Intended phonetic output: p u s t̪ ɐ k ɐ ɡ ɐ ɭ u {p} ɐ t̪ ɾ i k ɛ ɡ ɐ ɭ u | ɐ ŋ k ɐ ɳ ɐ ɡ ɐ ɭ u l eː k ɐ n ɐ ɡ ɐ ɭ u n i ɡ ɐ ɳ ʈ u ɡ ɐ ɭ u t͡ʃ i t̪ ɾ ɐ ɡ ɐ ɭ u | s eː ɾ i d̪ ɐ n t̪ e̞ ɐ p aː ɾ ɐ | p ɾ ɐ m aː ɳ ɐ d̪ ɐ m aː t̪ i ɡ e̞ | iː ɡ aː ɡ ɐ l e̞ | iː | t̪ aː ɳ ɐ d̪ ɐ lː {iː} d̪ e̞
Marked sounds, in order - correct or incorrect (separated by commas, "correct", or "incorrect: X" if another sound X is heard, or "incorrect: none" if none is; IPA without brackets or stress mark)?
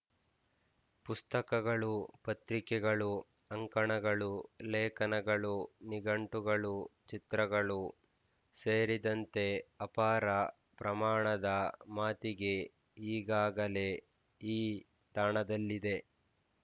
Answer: correct, incorrect: i